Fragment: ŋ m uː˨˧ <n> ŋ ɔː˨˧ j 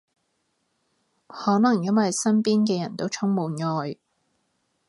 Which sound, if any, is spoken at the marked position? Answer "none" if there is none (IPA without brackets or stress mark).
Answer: n